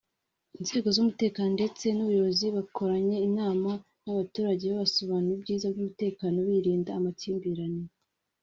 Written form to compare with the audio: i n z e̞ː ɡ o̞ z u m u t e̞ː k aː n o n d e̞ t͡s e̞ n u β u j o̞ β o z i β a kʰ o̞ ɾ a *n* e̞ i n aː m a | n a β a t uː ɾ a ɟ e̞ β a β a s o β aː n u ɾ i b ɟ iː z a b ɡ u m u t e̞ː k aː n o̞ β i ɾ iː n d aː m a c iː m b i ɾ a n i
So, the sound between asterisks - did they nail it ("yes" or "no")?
no